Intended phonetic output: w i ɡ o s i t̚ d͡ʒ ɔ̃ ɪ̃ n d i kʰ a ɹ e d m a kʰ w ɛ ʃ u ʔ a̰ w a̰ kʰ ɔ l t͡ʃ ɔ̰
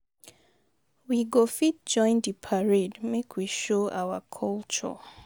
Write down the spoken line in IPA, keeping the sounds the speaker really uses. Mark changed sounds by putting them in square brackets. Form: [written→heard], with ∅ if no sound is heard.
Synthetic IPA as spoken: w i ɡ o [s→f] i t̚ d͡ʒ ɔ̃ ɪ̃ n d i [kʰ→pʰ] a ɹ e d m [a→e] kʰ w [ɛ→i] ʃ [u→o] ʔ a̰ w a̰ kʰ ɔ l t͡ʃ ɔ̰